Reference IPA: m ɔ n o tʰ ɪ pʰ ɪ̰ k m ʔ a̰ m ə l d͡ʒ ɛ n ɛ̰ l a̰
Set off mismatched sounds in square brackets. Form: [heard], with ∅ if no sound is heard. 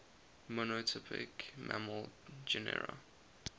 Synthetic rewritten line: m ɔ n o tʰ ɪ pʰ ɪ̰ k m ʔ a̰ m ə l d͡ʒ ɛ n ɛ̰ [ɹ] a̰